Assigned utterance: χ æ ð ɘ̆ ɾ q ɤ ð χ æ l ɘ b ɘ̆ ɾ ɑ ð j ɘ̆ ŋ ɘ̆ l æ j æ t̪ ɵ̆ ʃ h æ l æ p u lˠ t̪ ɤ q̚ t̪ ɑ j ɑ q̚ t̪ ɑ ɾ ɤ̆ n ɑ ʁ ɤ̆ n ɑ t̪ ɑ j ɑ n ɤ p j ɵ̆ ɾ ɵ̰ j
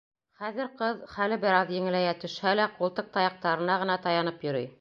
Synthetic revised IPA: χ æ ð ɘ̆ ɾ q ɤ ð χ æ l ɘ b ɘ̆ ɾ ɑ ð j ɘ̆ ŋ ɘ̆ l æ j æ t̪ ɵ̆ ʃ h æ l æ q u lˠ t̪ ɤ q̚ t̪ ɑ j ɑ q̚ t̪ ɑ ɾ ɤ̆ n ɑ ʁ ɤ̆ n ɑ t̪ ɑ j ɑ n ɤ p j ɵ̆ ɾ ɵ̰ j